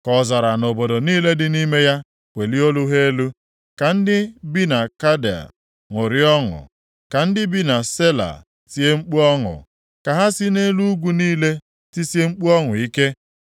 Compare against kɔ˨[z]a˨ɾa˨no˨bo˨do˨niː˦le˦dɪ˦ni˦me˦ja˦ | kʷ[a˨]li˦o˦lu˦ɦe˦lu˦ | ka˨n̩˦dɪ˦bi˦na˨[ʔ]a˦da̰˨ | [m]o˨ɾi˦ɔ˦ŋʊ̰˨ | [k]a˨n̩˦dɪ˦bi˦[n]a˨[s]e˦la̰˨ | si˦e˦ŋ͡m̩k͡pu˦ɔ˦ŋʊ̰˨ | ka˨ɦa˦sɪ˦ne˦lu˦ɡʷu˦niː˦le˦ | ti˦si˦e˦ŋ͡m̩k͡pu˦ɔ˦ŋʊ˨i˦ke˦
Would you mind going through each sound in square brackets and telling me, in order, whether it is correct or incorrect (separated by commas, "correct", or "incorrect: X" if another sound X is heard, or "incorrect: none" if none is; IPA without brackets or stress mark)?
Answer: correct, incorrect: e˨, incorrect: k, incorrect: ŋ, correct, correct, correct